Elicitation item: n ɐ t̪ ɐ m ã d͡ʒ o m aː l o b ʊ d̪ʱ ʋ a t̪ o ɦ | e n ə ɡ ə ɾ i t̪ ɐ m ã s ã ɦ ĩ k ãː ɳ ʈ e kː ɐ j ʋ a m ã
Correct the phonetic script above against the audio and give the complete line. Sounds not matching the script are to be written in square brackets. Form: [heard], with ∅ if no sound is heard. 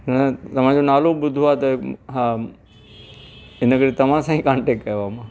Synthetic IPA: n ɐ t̪ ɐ m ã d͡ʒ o [n] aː l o b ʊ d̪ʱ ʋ a t̪ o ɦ | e n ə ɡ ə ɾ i t̪ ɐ m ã s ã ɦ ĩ k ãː ɳ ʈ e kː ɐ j ʋ a m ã